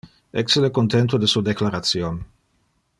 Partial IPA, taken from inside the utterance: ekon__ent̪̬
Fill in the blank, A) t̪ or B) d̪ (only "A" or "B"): A